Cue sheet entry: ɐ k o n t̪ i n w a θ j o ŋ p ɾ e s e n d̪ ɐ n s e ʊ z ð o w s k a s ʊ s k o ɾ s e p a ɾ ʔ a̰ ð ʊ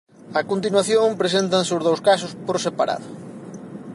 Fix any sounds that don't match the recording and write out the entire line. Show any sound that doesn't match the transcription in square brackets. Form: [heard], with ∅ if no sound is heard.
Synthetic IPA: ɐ k o n t̪ i n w a θ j o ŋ p ɾ e s e n [t̪] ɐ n s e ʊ z ð o w s k a s ʊ s [p] o ɾ s e p a ɾ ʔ a̰ ð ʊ